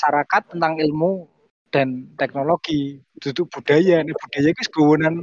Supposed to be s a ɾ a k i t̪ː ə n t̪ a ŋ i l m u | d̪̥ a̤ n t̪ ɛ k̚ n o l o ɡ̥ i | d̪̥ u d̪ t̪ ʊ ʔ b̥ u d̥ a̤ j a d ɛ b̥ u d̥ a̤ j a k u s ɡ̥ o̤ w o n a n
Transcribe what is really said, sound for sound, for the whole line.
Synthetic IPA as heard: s a ɾ a k a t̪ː ə n t̪ a ŋ i l m u | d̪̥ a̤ n t̪ ɛ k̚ n o l o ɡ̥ i | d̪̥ u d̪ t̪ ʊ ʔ b̥ u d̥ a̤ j a n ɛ b̥ u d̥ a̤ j a k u s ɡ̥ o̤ w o n a n